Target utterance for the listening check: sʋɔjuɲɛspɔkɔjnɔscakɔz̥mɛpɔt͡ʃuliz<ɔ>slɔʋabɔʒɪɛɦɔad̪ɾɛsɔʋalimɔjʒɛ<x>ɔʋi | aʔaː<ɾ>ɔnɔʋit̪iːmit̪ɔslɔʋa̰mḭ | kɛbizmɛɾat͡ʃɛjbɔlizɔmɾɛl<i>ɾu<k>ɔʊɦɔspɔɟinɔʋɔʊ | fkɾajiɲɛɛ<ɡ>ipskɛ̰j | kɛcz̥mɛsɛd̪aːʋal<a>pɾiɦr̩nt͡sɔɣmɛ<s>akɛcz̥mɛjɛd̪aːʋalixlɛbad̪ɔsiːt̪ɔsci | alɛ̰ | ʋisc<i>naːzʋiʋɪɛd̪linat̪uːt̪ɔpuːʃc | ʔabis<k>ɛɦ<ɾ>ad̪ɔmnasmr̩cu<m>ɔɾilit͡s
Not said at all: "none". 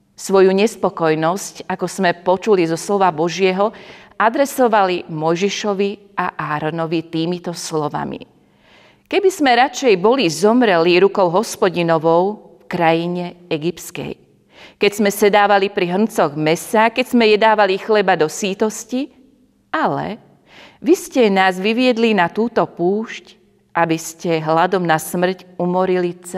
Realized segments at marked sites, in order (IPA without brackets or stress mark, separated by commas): ɔ, ʃ, ɾ, i, k, ɡ, i, s, ɛ, c, l, m